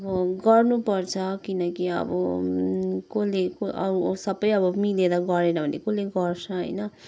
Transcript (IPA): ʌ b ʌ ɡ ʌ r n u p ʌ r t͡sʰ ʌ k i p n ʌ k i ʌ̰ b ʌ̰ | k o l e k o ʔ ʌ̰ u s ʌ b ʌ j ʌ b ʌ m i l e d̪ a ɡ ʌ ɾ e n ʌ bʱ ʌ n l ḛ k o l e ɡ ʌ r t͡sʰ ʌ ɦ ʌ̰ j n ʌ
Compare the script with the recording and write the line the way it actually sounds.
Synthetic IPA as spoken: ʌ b ʌ ɡ ʌ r n u p ʌ r t͡sʰ ʌ k i n ʌ k i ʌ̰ b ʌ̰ | k o l e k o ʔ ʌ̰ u s ʌ b ʌ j ʌ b ʌ m i l e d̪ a ɡ ʌ ɾ e n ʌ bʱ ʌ n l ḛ k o l e ɡ ʌ r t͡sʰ ʌ ɦ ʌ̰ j n ʌ